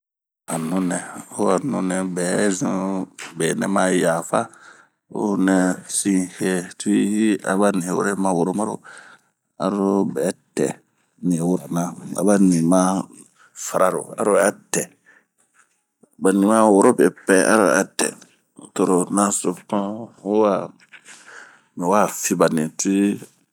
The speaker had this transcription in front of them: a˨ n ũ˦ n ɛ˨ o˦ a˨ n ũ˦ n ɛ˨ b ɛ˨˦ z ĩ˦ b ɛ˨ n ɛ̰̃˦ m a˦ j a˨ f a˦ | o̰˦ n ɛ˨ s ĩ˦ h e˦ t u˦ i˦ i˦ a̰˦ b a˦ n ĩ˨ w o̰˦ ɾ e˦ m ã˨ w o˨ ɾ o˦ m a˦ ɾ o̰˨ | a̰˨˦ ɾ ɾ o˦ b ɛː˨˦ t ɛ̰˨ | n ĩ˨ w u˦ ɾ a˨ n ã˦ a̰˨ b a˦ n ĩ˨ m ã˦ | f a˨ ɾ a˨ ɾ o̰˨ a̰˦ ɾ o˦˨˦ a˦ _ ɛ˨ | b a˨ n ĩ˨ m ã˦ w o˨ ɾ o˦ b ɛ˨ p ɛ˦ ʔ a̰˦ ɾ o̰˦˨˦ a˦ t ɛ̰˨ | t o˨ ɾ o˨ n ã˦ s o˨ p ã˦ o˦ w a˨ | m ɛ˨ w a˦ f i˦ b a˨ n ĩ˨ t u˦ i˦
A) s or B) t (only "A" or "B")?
B